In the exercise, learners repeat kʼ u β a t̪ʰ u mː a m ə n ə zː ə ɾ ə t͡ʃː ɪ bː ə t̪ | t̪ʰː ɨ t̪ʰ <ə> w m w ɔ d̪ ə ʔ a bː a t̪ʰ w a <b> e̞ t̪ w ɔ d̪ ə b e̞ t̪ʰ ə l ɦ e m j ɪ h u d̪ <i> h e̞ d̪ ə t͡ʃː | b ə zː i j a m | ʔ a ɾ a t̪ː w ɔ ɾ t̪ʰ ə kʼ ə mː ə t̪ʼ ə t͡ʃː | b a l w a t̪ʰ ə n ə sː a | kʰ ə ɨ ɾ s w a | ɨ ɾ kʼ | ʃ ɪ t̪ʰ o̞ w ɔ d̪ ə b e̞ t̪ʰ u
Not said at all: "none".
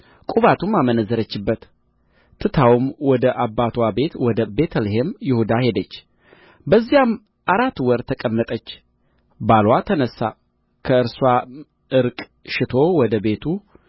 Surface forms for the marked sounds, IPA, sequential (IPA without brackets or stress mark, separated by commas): a, b, a